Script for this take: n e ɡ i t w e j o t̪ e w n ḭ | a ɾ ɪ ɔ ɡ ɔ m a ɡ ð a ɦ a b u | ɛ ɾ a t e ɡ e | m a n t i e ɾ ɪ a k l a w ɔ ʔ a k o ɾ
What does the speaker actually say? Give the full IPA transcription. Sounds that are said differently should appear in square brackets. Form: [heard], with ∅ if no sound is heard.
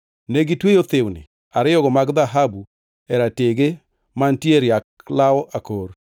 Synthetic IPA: n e ɡ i t w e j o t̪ e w n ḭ | a ɾ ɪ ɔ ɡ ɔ m a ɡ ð a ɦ a b u | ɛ ɾ a t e ɡ e | m a n t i e ɾ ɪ a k l a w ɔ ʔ a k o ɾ